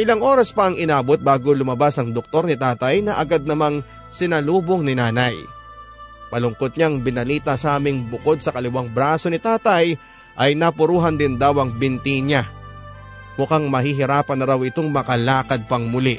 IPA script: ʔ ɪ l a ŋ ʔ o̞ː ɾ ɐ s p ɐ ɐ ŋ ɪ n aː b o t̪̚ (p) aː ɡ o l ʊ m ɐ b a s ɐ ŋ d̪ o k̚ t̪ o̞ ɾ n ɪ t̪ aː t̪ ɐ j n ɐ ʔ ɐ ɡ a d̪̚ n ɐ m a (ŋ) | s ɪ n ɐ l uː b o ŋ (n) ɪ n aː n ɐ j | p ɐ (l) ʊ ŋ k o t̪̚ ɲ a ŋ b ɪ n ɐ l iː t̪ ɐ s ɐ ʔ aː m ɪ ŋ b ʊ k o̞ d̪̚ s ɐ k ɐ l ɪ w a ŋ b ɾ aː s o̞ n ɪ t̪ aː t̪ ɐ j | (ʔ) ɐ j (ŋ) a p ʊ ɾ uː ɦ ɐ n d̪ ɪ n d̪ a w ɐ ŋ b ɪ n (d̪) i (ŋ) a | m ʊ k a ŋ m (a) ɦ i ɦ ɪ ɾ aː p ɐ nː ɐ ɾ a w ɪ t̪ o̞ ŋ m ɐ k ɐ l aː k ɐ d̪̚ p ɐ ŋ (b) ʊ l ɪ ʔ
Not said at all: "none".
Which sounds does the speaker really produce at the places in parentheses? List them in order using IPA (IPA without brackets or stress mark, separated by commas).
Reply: b, ŋ, n, l, ʔ, n, t̪, ɲ, ɐ, m